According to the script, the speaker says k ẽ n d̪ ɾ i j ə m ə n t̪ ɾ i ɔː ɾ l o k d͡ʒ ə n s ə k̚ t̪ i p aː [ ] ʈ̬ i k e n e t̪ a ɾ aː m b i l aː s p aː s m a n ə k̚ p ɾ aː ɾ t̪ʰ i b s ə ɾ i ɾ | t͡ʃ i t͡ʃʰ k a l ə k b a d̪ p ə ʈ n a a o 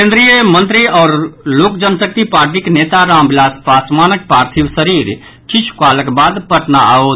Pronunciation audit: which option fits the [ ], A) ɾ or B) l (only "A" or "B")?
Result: A